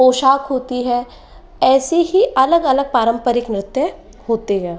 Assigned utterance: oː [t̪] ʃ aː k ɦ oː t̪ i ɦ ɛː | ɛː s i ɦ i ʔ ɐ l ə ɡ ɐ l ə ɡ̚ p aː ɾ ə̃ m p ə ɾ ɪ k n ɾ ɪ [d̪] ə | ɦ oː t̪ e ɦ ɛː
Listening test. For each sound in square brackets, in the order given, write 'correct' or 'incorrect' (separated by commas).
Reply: incorrect, incorrect